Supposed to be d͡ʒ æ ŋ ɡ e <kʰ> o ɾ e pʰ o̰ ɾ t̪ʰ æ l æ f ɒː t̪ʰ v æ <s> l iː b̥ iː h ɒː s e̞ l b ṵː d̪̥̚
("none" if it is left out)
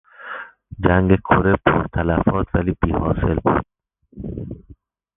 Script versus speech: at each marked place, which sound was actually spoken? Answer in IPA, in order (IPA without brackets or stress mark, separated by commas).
kʰ, none